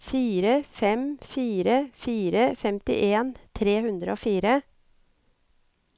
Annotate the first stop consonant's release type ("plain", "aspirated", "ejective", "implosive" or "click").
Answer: plain